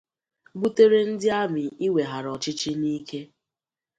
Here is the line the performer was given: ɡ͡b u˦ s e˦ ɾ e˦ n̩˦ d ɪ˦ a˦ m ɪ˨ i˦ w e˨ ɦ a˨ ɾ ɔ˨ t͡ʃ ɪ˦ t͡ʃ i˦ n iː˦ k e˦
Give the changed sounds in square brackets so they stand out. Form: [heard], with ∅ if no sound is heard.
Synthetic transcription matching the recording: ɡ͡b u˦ [t] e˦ ɾ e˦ n̩˦ d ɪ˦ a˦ m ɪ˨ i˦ w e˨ ɦ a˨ ɾ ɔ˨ t͡ʃ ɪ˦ t͡ʃ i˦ n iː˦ k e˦